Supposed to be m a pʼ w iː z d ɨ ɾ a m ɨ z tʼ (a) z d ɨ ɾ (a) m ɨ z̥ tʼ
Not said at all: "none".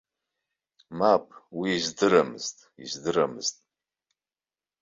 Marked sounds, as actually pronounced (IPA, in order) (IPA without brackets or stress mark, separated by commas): i, a